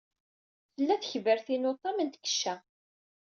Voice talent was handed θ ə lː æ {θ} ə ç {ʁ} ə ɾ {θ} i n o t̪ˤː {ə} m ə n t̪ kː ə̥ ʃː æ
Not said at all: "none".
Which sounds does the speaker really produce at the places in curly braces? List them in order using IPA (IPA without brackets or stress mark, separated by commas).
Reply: θ, v, θ, ɑ